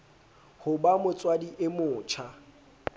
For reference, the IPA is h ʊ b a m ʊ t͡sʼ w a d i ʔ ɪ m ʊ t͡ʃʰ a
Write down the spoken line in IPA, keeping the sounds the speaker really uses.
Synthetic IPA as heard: h ʊ b a m ʊ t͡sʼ w a d i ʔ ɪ m ʊː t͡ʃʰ a